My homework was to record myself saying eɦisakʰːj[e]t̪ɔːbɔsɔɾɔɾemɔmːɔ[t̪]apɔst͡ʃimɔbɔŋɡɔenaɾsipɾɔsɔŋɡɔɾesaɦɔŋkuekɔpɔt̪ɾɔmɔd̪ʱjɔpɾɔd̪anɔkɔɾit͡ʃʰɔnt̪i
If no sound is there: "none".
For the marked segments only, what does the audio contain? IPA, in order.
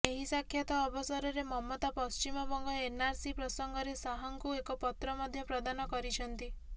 a, t̪

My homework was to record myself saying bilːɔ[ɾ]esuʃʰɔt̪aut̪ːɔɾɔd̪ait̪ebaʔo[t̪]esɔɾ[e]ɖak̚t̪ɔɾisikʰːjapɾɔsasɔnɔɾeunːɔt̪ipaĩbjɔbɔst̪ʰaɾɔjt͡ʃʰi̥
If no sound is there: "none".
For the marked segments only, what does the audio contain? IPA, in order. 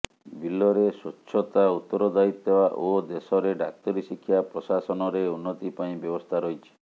ɾ, d̪, e

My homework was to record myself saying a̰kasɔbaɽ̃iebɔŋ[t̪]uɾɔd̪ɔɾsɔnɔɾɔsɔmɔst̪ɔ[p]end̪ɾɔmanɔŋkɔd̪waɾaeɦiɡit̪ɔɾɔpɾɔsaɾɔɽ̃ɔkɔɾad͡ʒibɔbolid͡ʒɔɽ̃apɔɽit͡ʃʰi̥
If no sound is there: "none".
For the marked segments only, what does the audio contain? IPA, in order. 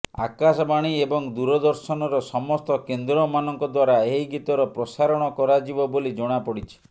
d̪, k

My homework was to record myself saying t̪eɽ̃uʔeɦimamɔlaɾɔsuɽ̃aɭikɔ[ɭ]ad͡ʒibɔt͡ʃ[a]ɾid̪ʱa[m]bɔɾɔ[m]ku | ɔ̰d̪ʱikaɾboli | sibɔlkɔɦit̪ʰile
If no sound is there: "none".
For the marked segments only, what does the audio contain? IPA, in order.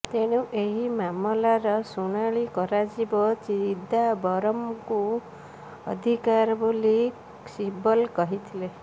ɾ, i, none, m

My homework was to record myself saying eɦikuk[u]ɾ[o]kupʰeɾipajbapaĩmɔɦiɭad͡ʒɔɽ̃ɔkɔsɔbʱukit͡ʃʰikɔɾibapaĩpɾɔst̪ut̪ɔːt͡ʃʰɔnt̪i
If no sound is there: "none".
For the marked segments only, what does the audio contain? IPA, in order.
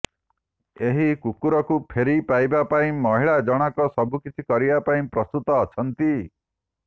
u, ɔ

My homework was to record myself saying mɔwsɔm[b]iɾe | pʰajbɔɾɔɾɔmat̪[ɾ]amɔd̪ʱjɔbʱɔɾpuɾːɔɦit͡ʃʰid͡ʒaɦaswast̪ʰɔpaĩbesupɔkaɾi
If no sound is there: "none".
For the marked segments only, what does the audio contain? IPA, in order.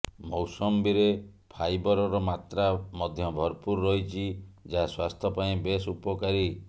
b, ɾ

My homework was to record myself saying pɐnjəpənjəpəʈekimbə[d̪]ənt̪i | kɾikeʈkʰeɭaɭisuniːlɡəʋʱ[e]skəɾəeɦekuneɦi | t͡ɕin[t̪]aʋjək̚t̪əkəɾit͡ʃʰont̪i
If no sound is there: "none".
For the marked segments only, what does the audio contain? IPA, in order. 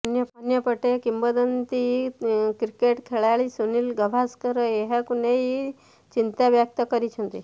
d̪, a, t̪

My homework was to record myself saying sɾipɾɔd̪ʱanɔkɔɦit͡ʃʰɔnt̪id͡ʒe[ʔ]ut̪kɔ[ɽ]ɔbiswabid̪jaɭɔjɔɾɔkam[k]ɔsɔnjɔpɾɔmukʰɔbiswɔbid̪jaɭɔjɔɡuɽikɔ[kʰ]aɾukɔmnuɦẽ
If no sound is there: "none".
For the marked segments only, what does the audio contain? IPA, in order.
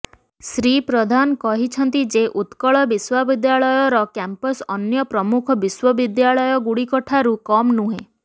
ʔ, ɭ, p, ʈʰ

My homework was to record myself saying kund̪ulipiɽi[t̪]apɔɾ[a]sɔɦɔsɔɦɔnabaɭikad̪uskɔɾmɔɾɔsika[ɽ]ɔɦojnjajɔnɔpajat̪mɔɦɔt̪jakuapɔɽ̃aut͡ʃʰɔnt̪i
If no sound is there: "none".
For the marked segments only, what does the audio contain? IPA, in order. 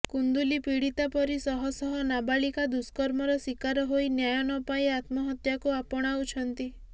t̪, i, ɾ

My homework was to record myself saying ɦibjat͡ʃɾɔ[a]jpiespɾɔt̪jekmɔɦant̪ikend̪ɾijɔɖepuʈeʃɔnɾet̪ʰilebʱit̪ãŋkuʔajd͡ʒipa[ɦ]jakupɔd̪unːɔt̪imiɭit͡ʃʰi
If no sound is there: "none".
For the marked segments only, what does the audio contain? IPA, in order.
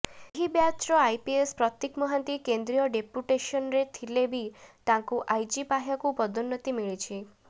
a, ɦ

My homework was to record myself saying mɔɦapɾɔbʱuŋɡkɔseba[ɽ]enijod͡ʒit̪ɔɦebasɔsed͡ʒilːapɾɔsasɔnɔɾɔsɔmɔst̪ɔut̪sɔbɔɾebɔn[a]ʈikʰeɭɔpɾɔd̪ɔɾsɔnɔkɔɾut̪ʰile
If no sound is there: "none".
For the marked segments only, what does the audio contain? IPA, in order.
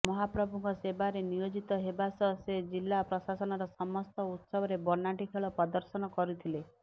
ɾ, a

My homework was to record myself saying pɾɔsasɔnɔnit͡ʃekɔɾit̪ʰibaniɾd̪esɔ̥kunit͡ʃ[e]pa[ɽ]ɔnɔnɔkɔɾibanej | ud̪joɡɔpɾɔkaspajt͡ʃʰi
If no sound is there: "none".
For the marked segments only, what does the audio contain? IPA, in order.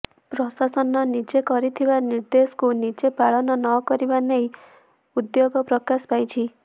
e, ɭ

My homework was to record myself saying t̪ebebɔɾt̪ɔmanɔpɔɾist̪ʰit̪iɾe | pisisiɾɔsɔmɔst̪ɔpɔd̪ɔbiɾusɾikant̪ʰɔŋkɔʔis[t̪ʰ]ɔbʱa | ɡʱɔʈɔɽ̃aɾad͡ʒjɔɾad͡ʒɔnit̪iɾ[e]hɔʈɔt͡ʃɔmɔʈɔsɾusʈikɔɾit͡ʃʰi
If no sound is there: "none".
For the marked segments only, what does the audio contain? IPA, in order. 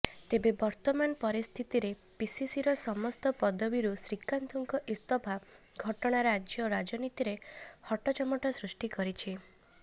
t̪, e

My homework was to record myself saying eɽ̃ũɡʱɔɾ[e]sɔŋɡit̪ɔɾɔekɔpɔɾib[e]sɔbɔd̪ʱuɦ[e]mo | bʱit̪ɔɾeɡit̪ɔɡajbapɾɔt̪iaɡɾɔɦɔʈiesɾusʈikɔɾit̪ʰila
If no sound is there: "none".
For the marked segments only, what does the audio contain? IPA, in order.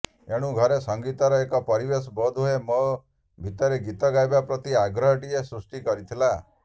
e, e, e

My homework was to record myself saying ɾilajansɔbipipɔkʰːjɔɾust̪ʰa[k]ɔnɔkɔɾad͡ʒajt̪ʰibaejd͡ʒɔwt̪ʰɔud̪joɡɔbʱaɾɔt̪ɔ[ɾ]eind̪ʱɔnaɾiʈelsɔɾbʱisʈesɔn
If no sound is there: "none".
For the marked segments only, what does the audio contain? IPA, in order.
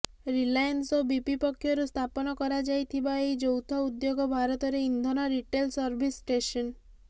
p, ɾ

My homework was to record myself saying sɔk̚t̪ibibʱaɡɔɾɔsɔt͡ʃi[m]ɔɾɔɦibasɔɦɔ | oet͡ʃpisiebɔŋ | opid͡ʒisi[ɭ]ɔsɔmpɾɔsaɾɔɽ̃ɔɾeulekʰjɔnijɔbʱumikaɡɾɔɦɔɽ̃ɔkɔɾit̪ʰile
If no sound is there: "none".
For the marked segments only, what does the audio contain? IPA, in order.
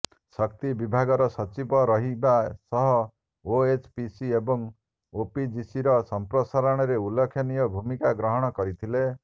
b, ɾ

